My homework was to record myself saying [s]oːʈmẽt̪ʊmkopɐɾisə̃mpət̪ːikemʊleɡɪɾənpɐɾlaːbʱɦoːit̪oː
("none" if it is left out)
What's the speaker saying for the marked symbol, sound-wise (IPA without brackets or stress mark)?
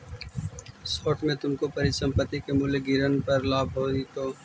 s